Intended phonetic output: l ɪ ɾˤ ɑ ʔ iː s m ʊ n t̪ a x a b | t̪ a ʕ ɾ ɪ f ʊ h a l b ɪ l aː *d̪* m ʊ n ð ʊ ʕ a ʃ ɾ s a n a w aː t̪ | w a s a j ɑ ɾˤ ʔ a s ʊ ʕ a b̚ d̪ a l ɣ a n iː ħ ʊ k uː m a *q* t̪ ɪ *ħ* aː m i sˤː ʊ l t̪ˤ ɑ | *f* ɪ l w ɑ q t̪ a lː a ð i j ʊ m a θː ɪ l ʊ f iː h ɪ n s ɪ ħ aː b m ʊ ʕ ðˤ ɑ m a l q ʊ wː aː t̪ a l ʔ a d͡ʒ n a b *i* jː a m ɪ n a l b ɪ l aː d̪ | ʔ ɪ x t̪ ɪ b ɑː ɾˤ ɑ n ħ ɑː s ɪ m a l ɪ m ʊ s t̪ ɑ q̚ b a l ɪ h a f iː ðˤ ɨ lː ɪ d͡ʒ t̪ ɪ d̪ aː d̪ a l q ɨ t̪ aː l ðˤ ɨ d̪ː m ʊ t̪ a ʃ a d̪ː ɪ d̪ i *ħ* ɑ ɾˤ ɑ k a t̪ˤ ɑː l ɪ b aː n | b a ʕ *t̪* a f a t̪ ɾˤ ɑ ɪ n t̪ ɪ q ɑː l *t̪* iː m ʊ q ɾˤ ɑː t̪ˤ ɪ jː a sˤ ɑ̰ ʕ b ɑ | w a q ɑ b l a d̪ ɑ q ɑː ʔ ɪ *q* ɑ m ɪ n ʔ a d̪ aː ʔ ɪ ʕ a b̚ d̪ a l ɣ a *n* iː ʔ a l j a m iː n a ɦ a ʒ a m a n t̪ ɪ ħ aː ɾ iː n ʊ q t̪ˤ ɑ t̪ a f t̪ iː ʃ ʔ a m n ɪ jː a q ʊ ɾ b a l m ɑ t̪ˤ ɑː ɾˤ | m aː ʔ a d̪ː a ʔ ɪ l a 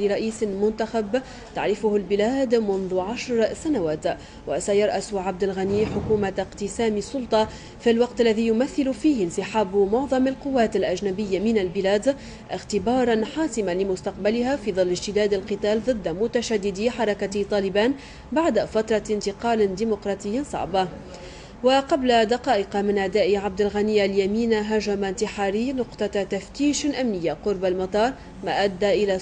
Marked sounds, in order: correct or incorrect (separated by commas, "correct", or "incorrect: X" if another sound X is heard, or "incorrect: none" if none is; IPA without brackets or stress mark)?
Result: correct, correct, incorrect: s, correct, incorrect: ɪ, correct, incorrect: d̪, incorrect: d̪, correct, correct